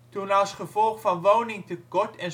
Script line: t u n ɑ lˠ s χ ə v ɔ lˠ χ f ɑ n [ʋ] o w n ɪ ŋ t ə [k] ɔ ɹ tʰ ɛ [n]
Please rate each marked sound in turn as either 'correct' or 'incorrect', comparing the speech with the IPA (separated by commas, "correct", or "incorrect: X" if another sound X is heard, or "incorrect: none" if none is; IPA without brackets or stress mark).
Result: correct, correct, correct